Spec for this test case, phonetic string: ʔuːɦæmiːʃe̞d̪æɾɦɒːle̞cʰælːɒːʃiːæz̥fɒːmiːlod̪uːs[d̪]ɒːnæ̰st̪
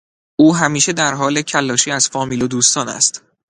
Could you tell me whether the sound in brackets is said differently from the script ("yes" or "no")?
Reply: yes